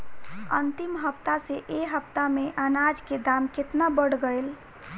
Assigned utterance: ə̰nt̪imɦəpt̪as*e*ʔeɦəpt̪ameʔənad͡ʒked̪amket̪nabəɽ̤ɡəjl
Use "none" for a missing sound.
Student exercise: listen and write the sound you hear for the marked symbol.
e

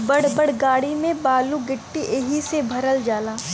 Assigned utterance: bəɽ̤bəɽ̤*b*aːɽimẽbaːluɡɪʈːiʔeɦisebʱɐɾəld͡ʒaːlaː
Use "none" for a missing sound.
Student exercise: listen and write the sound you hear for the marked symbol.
ɡ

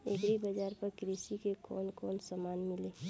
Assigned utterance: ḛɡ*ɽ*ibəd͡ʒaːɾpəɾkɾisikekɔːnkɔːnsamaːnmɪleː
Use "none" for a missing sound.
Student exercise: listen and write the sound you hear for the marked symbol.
ɾ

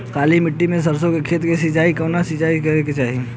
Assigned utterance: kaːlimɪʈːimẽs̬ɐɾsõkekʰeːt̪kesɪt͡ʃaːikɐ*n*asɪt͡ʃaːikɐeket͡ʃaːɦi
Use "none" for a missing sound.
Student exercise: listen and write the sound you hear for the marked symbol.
n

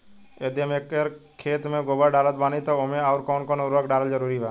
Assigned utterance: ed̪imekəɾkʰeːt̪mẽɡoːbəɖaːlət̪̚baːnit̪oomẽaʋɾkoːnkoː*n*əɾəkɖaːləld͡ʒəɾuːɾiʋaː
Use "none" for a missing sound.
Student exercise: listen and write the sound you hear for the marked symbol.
n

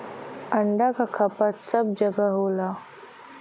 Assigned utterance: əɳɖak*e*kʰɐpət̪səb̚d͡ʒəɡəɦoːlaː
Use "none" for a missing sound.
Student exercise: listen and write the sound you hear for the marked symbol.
a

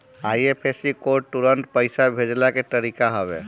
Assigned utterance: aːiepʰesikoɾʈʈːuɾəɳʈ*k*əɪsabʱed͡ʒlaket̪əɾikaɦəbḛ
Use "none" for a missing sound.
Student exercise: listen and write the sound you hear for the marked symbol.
p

